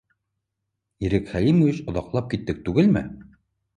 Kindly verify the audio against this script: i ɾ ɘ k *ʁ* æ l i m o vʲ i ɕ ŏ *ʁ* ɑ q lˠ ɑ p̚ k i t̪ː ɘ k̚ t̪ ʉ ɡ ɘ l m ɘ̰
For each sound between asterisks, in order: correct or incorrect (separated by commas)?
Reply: incorrect, incorrect